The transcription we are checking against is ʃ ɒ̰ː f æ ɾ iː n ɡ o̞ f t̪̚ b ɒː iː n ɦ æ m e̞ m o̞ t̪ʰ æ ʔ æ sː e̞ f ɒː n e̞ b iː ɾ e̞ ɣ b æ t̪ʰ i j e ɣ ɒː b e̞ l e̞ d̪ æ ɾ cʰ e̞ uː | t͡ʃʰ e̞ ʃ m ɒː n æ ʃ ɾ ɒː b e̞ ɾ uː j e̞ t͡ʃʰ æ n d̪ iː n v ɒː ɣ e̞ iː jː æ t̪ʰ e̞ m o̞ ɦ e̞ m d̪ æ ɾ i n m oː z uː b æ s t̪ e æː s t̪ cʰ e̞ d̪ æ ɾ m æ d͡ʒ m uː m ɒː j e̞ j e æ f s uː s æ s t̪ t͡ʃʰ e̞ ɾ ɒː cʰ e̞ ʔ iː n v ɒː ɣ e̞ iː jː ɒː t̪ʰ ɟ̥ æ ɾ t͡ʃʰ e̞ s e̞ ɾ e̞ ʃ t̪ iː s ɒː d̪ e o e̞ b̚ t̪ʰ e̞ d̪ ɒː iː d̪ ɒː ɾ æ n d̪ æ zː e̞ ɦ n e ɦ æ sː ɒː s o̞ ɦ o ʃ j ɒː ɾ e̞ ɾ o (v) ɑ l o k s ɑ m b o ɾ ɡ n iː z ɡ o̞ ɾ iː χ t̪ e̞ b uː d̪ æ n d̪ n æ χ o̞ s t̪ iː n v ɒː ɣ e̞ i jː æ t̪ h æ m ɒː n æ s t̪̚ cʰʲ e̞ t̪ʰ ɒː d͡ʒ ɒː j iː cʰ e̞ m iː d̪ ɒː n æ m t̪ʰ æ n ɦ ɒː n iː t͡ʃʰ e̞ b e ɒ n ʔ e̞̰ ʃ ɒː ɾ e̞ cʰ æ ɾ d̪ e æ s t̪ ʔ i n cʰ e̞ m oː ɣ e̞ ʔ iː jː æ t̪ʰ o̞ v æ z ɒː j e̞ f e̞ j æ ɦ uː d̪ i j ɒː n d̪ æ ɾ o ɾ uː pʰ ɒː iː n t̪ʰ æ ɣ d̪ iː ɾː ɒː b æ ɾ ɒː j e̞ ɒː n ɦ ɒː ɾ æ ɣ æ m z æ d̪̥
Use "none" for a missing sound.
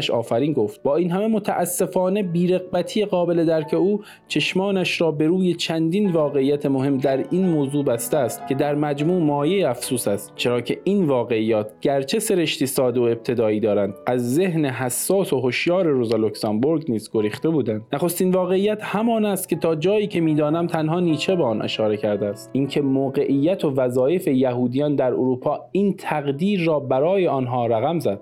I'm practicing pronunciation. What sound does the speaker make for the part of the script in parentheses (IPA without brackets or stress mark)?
z